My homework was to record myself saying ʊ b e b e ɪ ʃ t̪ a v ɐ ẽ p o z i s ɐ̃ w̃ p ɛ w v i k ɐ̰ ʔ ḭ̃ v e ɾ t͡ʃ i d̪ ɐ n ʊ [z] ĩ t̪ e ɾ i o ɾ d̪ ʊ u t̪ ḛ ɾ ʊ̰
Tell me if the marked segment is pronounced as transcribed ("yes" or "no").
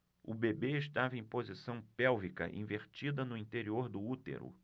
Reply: no